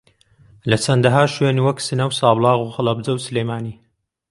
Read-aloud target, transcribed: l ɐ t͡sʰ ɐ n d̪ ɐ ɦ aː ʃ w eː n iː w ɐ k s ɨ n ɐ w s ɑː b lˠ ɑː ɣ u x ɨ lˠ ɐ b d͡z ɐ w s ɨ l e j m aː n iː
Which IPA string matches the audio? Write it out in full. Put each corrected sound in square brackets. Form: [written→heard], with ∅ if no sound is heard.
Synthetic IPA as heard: l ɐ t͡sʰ ɐ n d̪ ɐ ɦ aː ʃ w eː n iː w ɐ k s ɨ n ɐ w s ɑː b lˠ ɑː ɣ u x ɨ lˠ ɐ b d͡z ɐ w s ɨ l e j m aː n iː

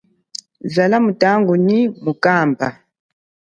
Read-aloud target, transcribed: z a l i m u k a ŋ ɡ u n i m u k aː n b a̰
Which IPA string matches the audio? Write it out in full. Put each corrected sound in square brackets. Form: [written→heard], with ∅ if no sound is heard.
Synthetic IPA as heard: z a l [i→a] m u [k→t] a ŋ ɡ u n i m u k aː [n→m] b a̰

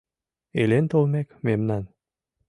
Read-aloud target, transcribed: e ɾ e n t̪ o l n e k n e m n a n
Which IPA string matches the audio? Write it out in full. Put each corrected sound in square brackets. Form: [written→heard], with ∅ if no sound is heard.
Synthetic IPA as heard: e [ɾ→l] e n t̪ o l [n→m] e k [n→m] e m n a n

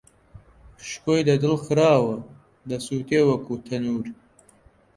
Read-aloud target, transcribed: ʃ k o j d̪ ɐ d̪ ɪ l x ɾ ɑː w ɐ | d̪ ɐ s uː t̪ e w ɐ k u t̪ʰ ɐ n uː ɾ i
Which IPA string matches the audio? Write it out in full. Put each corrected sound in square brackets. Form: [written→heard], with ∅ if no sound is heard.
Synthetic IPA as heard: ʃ k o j d̪ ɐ d̪ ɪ l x ɾ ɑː w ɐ | d̪ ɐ s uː t̪ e w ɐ k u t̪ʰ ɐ n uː ɾ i

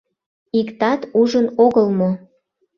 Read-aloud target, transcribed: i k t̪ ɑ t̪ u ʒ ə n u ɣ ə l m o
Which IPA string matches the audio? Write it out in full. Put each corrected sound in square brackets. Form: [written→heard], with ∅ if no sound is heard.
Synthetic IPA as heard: i k t̪ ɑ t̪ u ʒ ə n [u→o] ɣ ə l m o

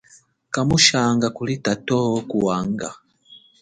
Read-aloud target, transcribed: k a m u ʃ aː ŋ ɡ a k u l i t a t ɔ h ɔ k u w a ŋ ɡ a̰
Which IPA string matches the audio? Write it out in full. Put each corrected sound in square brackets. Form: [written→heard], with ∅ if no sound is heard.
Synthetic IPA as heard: k a m u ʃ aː ŋ ɡ a k u l i t a t ɔ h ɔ k u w a ŋ ɡ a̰

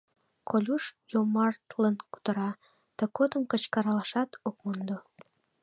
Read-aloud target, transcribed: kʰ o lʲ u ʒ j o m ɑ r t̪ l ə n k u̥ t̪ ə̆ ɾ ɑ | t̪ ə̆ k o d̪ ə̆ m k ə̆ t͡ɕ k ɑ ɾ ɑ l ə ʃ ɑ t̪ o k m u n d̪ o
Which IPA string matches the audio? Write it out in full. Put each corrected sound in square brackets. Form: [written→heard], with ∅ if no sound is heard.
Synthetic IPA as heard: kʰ o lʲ u [ʒ→ʃ] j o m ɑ r t̪ l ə n k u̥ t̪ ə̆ ɾ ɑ | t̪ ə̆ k o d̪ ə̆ m k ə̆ t͡ɕ k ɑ ɾ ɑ l [ə→ɑ] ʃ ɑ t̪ o k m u n d̪ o

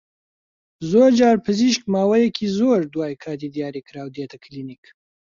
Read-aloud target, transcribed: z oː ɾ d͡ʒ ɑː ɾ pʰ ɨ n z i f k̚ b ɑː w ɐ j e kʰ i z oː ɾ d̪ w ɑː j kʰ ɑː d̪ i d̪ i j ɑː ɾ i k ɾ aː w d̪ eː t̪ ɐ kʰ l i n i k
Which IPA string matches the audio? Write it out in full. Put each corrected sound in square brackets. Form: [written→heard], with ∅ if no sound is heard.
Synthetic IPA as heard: z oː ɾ d͡ʒ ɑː ɾ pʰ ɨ [n→∅] z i [f→ʃ] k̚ [b→m] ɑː w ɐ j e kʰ i z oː ɾ d̪ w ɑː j kʰ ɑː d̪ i d̪ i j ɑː ɾ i k ɾ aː w d̪ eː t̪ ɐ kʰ l i n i k

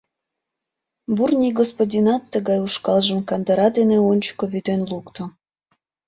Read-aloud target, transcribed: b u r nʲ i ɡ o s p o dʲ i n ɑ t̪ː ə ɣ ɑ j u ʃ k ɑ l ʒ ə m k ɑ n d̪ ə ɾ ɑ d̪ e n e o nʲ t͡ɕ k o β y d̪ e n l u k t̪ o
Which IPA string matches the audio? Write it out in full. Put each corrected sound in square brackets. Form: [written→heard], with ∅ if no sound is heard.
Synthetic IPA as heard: b u r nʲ i ɡ o s p o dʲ i n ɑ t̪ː ə ɣ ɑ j u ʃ k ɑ l ʒ ə m k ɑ n d̪ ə ɾ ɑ d̪ e n e o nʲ t͡ɕ k o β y d̪ e n l u k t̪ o

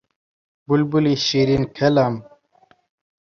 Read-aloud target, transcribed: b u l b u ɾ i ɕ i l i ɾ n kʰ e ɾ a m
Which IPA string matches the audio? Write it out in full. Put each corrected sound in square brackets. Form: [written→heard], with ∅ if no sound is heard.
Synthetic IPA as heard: b u l b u [ɾ→l] i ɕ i [l→ɾ] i [ɾ→∅] n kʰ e [ɾ→l] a m

